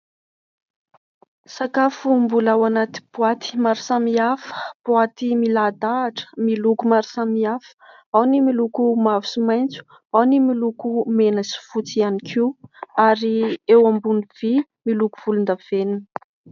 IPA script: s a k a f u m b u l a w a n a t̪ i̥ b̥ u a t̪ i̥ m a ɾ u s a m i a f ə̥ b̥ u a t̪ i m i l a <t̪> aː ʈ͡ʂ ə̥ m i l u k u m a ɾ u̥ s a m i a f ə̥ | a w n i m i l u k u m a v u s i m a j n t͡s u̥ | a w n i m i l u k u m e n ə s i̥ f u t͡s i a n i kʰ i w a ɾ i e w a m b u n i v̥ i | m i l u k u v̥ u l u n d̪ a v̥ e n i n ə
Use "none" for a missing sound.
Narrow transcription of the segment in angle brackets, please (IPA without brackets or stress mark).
d̪